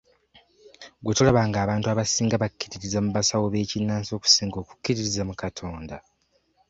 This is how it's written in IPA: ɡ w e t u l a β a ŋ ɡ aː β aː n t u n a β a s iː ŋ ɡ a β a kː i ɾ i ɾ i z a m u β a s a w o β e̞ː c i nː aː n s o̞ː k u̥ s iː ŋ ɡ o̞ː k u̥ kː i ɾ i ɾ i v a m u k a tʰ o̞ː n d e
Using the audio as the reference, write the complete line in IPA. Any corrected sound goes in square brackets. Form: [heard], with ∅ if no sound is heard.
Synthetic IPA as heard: ɡ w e t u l a β a ŋ ɡ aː β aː n t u [∅] a β a s iː ŋ ɡ a β a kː i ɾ i ɾ i z a m u β a s a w o β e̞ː c i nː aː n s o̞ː k u̥ s iː ŋ ɡ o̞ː k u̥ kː i ɾ i ɾ i [z] a m u k a tʰ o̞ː n d [a]